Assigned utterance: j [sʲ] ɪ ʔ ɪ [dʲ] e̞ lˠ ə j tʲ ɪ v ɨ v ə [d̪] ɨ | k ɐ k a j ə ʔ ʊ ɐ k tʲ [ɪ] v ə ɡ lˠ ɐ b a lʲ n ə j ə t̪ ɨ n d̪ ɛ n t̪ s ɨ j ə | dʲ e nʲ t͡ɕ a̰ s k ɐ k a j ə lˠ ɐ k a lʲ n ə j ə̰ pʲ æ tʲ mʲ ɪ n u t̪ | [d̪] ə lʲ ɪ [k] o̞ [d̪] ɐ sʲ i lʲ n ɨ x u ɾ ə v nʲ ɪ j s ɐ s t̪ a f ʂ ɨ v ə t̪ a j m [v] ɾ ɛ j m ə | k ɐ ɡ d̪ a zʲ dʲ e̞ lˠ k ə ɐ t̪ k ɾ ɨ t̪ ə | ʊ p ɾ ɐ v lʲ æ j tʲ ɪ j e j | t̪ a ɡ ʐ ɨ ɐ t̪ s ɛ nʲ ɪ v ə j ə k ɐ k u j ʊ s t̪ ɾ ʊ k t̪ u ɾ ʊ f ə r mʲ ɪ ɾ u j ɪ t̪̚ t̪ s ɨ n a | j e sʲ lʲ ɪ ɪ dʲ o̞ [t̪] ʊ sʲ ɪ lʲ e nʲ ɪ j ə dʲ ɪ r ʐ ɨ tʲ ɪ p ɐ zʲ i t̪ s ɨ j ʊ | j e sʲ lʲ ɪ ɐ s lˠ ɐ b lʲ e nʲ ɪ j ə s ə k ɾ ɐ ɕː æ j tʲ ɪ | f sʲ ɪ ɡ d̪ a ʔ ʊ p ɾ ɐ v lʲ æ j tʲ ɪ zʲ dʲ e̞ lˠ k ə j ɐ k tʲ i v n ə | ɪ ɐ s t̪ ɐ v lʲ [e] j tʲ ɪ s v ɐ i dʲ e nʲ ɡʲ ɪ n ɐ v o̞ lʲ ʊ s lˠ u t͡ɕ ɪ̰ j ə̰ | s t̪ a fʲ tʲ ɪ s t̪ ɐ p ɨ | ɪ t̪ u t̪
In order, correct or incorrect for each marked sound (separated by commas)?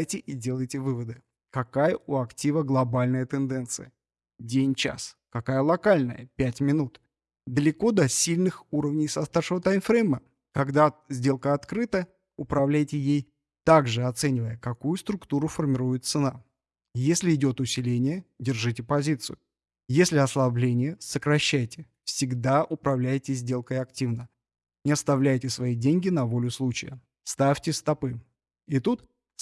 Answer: incorrect, correct, correct, incorrect, correct, correct, correct, incorrect, correct, incorrect